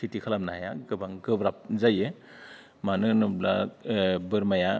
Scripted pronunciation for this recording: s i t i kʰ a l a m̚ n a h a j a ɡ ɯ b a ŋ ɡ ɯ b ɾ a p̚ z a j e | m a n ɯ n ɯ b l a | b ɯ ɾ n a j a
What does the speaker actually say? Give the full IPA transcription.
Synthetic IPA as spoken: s i t i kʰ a l a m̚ n a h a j a ɡ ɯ b a ŋ ɡ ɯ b ɾ a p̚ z a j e | m a n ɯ n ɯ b l a | b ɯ ɾ m a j a